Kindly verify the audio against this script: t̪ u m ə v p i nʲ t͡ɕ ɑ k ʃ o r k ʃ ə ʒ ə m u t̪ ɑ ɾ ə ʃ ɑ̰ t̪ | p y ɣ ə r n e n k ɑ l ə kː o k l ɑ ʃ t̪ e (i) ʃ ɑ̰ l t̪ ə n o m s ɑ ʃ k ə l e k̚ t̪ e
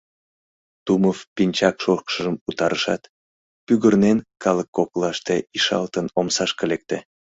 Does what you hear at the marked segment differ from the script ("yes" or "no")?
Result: no